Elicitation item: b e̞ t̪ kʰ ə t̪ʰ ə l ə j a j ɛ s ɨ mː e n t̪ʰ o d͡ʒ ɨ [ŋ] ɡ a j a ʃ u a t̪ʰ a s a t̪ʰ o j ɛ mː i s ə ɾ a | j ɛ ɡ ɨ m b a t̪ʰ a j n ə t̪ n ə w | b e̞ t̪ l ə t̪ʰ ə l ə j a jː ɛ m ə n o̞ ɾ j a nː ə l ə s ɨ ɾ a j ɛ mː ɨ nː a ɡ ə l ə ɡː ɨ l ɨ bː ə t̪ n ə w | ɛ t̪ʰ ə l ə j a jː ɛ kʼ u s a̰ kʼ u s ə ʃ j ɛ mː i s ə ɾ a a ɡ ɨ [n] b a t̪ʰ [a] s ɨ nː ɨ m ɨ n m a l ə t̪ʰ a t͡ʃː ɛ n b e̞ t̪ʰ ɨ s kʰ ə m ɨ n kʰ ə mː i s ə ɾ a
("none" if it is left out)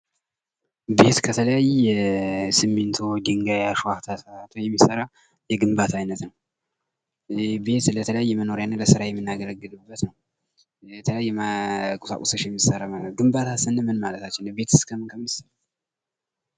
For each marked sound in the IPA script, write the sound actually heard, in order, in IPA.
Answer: ŋ, m, a

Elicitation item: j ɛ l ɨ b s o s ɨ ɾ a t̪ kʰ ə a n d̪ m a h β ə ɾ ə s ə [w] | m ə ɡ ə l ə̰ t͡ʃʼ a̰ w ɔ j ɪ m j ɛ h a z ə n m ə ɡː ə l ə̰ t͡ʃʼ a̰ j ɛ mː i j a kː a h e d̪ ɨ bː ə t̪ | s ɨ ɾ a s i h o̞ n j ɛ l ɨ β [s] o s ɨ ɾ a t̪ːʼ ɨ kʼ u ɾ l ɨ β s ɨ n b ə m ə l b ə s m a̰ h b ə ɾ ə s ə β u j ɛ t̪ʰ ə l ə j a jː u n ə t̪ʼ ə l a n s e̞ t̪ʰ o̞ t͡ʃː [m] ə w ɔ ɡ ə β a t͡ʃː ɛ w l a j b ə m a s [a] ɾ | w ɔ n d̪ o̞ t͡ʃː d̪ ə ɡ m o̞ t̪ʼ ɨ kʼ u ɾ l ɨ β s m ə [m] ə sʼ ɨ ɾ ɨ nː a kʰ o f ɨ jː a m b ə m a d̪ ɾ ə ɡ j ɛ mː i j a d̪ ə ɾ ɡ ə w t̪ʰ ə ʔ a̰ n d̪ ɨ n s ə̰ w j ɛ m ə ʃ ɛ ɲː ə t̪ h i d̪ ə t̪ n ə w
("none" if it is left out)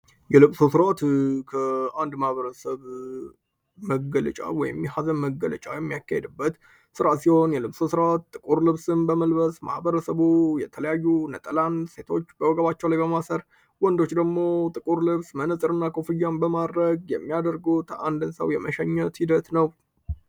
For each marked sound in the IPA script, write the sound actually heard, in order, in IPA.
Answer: β, s, b, ə, n

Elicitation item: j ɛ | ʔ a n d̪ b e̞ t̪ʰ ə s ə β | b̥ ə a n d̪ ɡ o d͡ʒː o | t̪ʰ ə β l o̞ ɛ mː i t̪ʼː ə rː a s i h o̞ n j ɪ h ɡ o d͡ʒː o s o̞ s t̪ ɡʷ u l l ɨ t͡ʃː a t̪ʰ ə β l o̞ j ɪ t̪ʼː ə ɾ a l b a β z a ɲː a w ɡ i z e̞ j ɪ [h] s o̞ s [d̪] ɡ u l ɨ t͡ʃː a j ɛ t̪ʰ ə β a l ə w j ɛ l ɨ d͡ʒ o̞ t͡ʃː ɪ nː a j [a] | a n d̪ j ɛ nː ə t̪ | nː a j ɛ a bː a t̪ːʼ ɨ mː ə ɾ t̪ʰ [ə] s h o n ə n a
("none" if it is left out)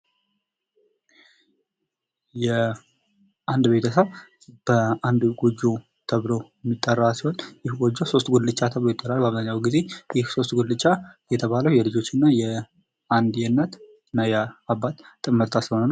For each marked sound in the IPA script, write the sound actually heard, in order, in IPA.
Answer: h, t̪, ɛ, a

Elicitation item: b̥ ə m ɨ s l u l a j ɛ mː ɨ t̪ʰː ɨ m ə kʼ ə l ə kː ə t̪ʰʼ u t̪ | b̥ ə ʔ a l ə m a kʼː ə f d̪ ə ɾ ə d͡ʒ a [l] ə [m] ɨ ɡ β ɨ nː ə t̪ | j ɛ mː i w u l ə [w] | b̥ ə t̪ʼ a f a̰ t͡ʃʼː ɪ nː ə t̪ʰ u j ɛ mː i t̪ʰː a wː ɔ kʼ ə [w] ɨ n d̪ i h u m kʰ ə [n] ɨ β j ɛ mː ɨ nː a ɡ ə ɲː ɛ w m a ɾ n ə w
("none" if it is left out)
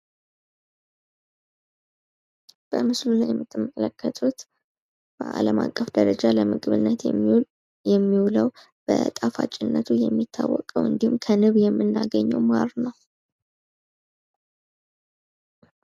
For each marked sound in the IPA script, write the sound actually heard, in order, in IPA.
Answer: l, m, w, w, n

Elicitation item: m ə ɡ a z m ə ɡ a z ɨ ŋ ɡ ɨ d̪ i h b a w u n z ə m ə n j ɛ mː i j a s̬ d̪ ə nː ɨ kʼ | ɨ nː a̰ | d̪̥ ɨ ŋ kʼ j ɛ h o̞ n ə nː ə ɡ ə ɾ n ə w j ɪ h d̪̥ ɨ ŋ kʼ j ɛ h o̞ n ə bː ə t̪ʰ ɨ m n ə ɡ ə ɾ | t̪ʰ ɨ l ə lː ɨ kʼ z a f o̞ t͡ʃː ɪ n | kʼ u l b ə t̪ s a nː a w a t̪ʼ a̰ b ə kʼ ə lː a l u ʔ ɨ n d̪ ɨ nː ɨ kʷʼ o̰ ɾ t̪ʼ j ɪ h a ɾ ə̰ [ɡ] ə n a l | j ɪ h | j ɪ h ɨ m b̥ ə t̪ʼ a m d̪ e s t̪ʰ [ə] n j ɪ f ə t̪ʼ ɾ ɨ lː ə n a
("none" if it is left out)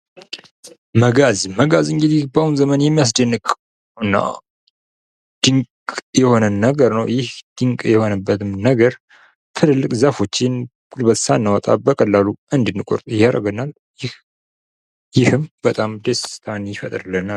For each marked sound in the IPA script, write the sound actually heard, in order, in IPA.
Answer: ɡ, a

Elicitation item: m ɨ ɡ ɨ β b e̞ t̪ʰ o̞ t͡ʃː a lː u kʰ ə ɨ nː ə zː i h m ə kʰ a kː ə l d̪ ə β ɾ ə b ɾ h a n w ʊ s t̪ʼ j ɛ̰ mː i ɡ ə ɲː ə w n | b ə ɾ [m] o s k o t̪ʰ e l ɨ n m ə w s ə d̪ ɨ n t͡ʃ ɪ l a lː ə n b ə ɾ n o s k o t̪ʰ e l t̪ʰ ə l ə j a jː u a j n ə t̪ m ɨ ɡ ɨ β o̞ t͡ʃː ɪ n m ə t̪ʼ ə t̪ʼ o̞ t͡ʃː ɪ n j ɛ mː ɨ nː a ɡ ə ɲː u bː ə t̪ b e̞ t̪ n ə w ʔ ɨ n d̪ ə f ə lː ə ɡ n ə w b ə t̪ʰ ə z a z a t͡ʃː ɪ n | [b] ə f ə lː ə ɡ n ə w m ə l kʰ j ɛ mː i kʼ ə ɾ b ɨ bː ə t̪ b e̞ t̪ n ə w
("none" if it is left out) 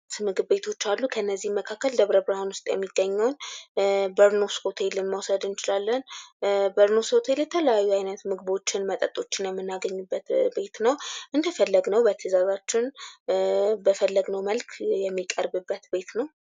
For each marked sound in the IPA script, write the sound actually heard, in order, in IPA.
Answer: n, b

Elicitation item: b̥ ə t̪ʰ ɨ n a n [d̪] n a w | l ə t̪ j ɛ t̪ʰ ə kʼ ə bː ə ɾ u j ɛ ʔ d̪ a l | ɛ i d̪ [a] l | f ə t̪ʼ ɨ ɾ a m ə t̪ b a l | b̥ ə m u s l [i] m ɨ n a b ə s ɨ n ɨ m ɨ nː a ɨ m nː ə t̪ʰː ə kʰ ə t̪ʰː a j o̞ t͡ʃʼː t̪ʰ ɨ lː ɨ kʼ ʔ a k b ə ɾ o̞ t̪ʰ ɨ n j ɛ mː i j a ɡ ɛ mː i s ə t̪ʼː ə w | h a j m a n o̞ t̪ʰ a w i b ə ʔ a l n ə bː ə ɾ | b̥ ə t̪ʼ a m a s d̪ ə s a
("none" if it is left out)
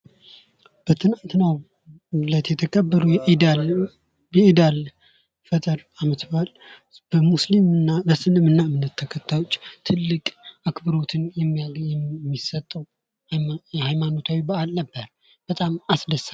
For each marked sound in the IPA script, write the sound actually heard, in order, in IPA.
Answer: t̪, a, i

